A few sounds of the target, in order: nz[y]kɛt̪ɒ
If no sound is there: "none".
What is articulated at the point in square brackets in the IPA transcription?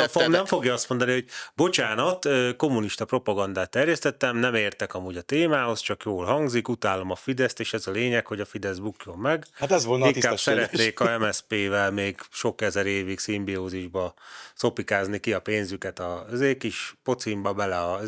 y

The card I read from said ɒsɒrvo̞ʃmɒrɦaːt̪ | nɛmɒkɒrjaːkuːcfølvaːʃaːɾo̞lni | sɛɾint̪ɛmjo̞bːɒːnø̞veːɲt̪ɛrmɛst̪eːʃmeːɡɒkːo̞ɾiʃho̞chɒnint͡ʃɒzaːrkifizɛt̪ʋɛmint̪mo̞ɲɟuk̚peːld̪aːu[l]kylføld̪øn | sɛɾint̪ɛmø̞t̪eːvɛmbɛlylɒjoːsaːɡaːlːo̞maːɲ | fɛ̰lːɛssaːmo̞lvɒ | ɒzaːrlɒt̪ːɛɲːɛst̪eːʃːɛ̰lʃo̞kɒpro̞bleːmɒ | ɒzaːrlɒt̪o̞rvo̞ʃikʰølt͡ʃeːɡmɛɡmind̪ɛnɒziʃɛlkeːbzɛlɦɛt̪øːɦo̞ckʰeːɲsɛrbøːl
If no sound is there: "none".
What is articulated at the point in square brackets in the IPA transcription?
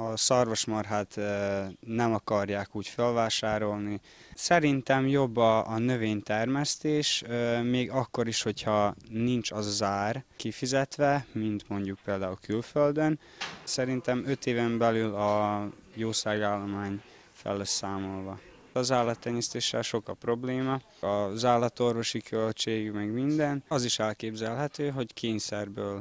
l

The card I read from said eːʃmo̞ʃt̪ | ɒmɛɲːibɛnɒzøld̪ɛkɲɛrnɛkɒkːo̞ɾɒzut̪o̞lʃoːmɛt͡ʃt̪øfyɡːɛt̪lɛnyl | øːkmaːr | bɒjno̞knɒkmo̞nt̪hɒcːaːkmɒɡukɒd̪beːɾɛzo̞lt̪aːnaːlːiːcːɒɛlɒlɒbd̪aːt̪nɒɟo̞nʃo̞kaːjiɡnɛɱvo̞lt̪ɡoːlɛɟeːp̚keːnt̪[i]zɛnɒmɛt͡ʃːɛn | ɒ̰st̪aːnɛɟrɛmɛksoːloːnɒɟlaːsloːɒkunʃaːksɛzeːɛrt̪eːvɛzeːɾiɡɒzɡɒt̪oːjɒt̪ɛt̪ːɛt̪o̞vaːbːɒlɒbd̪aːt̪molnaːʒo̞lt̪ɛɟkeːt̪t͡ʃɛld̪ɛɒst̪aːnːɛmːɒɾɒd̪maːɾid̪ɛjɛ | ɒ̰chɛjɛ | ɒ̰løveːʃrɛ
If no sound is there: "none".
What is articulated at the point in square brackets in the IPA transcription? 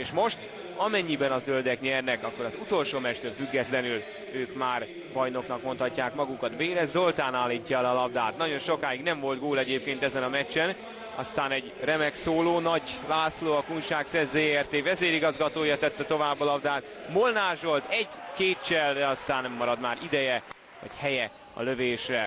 ɛ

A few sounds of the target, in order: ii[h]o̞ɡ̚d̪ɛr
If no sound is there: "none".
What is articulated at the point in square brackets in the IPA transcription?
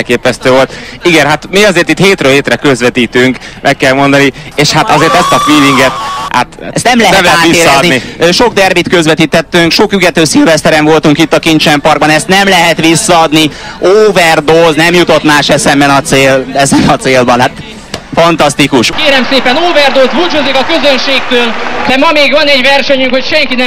ʃ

